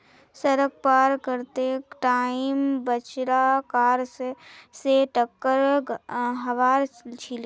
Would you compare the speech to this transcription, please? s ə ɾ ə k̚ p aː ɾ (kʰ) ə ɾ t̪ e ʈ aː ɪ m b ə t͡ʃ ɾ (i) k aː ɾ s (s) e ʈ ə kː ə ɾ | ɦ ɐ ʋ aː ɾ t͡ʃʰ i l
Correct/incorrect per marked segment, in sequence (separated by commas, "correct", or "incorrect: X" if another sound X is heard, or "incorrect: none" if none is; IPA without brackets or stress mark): incorrect: k, incorrect: a, correct